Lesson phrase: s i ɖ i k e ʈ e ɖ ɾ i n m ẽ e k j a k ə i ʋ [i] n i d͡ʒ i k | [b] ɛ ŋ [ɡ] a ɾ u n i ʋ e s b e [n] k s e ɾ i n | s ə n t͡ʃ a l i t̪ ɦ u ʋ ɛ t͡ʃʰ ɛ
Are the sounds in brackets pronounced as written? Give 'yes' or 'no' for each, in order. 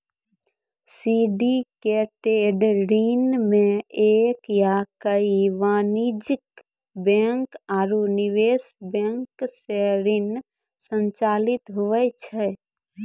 no, yes, no, no

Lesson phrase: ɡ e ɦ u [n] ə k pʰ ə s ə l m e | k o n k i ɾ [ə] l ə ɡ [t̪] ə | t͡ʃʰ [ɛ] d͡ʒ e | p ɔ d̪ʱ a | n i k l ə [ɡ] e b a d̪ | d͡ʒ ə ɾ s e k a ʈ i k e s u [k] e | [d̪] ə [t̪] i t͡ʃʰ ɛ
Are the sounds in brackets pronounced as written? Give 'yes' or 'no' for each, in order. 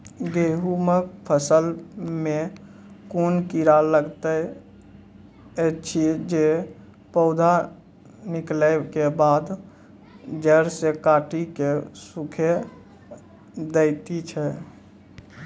no, no, yes, no, no, no, yes, yes

